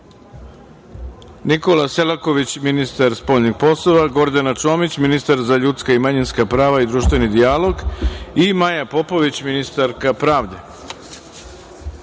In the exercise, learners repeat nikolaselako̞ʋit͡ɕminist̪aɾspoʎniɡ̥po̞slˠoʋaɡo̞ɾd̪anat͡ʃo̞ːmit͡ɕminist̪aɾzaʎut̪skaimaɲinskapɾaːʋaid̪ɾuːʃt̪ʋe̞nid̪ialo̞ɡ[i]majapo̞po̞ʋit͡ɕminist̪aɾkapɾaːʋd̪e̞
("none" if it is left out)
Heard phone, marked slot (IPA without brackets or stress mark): i